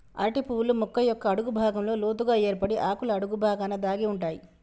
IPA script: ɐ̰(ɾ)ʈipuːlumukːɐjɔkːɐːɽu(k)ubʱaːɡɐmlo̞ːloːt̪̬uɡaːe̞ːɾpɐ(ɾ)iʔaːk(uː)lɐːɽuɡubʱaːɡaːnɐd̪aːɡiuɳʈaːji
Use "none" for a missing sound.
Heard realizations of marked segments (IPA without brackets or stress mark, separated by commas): ɾ, ɡ, ɽ, u